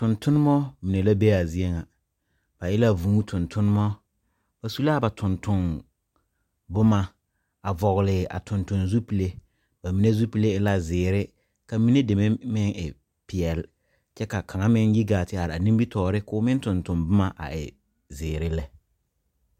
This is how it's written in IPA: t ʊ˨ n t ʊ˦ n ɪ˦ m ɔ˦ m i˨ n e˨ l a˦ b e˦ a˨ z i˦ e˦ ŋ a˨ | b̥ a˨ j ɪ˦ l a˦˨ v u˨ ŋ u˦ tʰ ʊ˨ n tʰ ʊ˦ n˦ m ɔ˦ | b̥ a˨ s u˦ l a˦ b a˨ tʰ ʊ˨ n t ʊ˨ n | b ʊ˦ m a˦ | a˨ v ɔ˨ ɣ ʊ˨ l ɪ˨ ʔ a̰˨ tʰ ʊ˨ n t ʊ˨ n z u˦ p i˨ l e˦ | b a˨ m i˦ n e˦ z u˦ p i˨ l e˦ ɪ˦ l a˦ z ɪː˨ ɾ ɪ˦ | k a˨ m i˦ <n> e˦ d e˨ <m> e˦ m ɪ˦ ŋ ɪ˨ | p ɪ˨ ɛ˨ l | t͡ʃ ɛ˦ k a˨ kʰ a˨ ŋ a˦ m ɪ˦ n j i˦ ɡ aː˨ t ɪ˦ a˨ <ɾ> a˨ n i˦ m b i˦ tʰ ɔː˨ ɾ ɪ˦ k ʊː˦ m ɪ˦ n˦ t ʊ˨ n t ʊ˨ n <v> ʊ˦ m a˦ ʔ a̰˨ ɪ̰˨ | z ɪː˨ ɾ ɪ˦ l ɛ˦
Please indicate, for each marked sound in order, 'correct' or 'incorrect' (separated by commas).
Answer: correct, correct, correct, incorrect